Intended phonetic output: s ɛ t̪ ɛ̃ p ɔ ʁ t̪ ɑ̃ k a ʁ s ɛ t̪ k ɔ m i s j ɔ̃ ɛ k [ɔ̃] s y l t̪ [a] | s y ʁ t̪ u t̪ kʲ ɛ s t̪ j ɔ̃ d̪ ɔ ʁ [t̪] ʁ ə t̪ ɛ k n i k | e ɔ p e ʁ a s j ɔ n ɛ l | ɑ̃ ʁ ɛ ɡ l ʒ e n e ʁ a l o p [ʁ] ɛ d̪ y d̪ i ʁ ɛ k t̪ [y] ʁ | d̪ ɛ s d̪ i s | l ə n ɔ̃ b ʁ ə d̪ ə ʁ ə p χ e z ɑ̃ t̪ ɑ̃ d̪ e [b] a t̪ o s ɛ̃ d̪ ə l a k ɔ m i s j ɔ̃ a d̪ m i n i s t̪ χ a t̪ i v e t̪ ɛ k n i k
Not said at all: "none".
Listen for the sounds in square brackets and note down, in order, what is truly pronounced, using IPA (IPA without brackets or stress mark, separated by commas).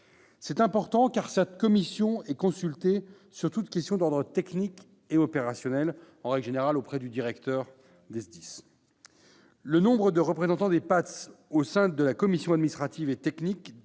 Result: ɔ̃, e, d̪, χ, œ, p